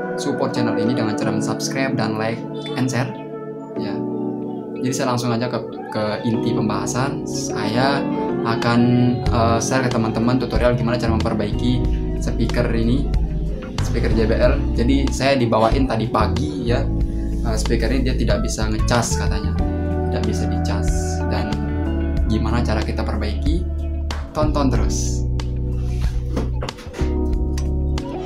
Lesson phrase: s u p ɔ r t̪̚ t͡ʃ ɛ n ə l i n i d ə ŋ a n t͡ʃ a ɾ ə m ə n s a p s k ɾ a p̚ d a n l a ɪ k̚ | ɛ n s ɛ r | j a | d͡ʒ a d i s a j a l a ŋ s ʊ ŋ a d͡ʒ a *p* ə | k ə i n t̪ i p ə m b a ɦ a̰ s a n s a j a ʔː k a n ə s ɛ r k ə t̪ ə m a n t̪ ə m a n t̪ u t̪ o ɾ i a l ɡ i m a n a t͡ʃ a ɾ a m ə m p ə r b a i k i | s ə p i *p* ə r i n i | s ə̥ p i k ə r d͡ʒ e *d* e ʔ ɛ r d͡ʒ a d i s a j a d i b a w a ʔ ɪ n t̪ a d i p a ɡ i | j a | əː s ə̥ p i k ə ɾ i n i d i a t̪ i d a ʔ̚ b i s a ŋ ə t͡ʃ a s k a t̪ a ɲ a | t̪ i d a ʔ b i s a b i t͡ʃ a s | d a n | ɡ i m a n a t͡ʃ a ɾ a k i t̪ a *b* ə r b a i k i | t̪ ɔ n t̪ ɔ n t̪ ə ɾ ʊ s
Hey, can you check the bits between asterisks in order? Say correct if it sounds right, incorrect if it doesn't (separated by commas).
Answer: incorrect, incorrect, incorrect, incorrect